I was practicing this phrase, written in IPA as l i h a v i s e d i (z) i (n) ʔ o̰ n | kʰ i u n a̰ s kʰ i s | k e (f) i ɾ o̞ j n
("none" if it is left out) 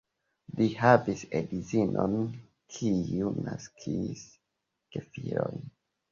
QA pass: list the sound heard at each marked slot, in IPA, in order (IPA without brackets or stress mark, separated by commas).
z, n, f